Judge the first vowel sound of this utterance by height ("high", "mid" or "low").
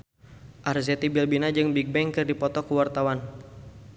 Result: low